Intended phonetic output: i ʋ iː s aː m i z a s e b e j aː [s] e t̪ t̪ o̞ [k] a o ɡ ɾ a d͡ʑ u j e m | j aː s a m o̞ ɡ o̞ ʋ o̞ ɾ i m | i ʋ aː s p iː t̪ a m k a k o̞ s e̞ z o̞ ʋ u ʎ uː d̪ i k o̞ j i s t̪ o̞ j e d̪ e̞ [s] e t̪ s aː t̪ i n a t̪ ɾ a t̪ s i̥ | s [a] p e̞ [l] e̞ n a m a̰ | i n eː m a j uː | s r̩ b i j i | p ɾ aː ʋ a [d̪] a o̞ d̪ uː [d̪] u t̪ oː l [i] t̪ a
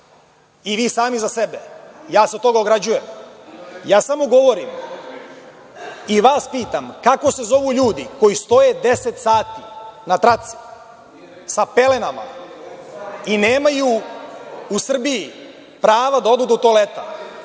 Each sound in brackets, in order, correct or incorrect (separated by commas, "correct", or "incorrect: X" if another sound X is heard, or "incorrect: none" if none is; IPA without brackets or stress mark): correct, incorrect: ɡ, correct, correct, correct, correct, correct, incorrect: e